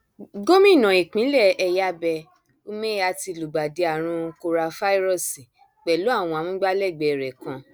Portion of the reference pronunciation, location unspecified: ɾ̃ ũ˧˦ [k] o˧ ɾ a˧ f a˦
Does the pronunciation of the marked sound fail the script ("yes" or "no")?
no